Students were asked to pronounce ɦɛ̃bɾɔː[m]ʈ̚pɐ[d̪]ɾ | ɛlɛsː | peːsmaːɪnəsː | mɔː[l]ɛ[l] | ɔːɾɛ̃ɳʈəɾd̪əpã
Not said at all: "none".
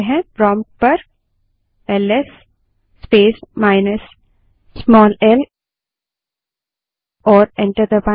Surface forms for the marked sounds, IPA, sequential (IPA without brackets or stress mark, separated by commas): m, none, l, l